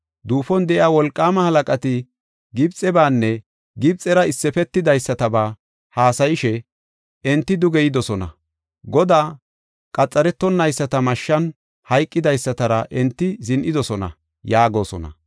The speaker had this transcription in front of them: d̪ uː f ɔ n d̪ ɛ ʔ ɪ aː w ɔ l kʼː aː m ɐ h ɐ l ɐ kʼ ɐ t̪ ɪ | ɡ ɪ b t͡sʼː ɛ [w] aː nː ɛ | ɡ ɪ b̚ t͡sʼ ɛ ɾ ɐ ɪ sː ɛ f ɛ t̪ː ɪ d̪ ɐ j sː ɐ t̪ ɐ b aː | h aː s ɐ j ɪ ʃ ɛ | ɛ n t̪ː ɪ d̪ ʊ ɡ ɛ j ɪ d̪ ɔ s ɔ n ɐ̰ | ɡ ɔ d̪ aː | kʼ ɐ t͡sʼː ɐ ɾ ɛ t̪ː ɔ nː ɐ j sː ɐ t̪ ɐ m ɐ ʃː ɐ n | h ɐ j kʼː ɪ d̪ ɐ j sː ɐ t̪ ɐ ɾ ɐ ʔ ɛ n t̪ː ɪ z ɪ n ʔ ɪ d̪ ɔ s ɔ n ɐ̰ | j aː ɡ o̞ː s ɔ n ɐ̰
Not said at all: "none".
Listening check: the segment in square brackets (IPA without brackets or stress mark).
b